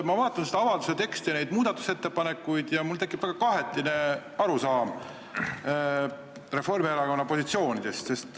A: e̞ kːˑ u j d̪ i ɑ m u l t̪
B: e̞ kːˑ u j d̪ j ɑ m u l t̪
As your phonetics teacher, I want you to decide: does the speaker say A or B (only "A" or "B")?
B